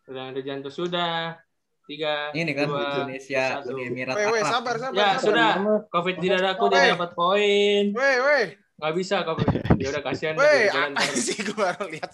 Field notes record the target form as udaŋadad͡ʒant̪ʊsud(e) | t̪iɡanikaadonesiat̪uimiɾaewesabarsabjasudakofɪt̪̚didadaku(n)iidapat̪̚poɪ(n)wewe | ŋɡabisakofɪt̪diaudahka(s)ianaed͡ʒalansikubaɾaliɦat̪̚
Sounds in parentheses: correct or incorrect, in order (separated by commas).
incorrect, incorrect, correct, correct